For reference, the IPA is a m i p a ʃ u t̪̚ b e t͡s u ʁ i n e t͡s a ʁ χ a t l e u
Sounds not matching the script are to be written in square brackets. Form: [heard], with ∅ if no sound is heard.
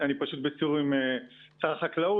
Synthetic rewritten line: a [n] i p a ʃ u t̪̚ b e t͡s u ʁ i [m] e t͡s a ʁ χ a [k] l [a] u